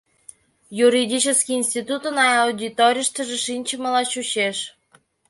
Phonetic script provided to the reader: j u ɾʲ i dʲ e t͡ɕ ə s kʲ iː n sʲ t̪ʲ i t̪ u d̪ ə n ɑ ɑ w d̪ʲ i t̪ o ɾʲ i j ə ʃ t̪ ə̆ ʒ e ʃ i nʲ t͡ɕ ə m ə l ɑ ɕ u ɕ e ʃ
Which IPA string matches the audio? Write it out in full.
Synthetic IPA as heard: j u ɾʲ i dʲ i t͡ɕ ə s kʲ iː n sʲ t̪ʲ i t̪ u t̪ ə n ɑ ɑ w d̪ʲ i t̪ o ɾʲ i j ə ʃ t̪ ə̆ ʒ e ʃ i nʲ t͡ɕ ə m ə l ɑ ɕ u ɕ e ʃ